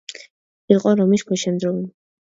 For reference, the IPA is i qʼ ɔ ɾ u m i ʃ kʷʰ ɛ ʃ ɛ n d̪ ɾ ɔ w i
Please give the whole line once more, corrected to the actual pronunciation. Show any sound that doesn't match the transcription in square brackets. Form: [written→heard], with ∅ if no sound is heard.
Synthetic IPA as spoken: i qʼ ɔ ɾ [u→ɔ] m i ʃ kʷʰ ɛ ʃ ɛ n d̪ ɾ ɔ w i